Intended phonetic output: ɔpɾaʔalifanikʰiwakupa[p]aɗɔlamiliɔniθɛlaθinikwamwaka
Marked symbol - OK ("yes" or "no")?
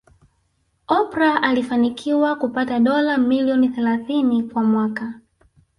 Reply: no